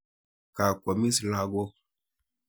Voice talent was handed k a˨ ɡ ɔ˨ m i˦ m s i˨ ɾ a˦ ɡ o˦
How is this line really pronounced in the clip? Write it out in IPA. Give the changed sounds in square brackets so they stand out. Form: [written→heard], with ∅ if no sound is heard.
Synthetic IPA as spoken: k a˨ [ɡ→k] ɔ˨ m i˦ [m→∅] s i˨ [ɾ→l] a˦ ɡ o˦